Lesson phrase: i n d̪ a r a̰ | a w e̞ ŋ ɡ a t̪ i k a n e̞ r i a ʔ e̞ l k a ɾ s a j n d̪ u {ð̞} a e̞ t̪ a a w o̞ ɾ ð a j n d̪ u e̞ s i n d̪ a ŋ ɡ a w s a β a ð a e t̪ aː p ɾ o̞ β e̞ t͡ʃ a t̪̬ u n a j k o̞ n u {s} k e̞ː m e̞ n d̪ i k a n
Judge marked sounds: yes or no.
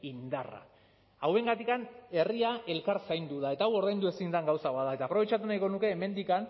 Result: yes, no

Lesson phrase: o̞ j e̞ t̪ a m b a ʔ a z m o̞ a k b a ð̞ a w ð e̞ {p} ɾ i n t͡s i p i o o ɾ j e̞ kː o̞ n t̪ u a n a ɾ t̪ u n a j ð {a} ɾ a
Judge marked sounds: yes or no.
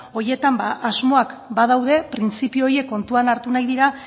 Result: yes, no

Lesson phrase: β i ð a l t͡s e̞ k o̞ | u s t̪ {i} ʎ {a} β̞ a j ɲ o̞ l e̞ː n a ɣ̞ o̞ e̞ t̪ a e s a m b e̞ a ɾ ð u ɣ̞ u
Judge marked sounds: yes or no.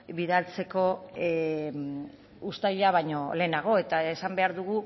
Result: no, yes

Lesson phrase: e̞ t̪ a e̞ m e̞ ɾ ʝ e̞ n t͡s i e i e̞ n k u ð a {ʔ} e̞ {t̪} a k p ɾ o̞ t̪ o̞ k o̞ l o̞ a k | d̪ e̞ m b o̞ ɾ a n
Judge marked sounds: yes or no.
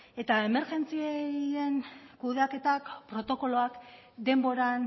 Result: no, yes

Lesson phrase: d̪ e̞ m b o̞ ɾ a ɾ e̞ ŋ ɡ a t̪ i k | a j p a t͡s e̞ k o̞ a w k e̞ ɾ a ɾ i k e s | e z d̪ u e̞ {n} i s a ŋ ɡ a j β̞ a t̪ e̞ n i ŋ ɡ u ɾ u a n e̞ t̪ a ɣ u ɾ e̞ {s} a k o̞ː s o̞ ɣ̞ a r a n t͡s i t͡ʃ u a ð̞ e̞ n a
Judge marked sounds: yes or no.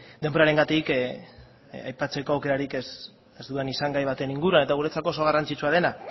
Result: yes, no

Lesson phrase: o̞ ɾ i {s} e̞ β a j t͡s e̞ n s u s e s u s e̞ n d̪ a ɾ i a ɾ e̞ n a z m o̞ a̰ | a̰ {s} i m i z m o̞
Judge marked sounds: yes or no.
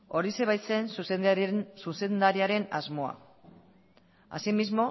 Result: yes, yes

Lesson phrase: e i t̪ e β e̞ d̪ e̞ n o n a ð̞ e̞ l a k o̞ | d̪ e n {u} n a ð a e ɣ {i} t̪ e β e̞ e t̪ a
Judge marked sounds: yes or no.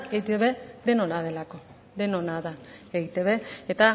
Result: no, yes

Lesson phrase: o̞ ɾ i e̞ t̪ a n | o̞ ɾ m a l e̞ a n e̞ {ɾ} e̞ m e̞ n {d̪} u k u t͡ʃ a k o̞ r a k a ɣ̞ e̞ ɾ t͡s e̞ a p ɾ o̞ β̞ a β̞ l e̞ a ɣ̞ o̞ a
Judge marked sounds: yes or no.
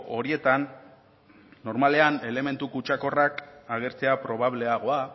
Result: no, no

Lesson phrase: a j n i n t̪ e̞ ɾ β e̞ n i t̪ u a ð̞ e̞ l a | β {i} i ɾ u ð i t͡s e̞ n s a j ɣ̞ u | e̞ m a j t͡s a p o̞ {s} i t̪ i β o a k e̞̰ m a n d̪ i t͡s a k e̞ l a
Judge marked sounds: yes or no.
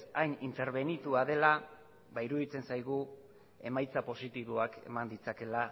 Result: no, yes

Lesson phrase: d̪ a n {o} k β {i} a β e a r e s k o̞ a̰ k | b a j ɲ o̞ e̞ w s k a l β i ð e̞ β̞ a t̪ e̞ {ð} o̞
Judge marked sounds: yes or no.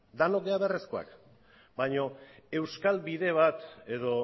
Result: yes, no, yes

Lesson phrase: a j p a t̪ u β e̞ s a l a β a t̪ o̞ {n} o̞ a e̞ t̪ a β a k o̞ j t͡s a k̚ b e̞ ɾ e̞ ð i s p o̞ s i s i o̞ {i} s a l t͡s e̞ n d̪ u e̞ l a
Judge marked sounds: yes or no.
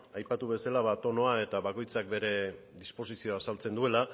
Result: yes, no

